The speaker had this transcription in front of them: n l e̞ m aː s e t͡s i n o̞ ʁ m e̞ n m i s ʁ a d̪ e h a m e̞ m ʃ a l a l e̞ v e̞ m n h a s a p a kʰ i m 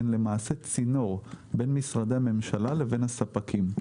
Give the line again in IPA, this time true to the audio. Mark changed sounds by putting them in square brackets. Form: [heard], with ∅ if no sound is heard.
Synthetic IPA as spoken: n l e̞ m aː s e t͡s i n o̞ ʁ [b] e̞ n m i s ʁ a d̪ e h a m e̞ m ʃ a l a l e̞ v e̞ [∅] n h a s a p a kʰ i m